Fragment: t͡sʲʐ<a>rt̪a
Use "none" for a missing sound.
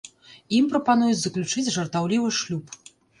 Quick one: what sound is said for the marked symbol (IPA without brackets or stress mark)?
ɐ